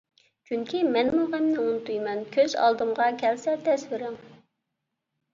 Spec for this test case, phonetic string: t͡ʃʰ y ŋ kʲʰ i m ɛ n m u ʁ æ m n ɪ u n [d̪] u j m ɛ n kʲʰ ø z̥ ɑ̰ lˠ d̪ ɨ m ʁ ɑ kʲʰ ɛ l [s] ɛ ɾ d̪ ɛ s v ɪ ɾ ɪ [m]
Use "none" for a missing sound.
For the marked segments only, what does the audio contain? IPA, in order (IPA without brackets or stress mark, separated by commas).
t̪, s, ŋ